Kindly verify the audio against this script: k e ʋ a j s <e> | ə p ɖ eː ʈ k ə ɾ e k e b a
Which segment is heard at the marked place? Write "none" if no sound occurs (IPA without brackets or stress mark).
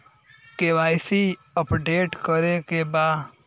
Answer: i